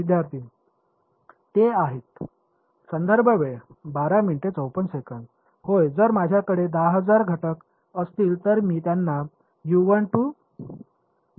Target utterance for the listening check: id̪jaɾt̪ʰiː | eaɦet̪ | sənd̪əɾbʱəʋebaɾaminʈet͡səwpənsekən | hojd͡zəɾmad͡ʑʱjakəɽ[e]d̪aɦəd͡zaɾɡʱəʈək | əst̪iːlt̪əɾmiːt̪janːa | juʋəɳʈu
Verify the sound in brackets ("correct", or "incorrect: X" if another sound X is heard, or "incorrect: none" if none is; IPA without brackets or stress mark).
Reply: correct